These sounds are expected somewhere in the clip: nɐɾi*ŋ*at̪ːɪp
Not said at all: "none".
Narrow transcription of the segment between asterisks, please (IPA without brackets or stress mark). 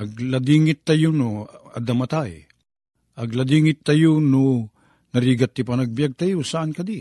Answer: ɡ